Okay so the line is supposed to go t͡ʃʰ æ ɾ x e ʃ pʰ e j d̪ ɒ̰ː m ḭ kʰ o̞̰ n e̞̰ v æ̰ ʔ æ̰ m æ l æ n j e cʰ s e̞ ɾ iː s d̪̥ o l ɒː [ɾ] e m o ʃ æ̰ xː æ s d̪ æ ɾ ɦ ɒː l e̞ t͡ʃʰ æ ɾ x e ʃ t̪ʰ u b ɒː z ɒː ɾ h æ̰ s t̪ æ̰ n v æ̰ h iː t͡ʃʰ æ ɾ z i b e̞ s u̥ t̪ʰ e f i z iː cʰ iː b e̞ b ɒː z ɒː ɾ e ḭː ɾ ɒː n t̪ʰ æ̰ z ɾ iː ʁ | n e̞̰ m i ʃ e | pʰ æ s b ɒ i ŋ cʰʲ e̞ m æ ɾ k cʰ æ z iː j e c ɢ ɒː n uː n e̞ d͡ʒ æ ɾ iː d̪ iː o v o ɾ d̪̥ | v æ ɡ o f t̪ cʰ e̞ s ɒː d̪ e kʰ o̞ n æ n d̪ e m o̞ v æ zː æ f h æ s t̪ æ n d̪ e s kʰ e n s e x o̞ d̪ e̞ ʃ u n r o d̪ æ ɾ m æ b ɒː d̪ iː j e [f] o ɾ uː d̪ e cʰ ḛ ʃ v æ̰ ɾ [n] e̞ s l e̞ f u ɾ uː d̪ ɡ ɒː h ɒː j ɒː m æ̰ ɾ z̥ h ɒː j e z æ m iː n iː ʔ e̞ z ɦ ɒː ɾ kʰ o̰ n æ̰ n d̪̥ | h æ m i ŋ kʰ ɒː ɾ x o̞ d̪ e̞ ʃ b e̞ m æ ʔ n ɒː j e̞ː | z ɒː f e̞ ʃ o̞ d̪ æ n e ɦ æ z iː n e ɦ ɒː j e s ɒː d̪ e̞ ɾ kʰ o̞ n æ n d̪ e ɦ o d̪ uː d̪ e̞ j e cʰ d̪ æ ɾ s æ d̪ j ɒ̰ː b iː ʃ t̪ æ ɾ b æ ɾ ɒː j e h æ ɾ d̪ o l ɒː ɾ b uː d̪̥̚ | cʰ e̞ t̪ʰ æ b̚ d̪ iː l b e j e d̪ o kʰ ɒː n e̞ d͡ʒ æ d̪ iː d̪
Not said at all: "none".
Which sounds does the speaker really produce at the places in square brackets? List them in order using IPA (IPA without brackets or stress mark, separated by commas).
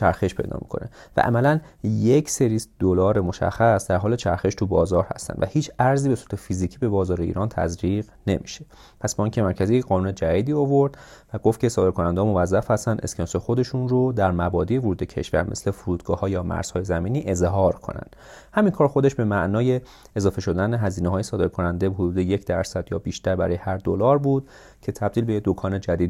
ɾ, v, m